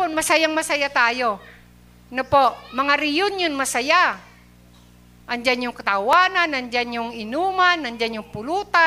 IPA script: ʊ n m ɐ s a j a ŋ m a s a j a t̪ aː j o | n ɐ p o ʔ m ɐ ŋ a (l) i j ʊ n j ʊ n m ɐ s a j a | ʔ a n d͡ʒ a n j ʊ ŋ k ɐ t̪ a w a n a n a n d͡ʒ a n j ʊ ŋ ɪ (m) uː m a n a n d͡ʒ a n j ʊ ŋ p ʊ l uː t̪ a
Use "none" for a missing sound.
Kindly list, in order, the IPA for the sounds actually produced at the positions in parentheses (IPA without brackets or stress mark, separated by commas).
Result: ɾ, n